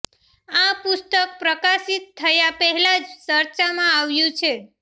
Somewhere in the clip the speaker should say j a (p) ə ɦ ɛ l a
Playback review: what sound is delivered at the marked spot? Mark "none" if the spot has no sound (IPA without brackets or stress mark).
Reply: p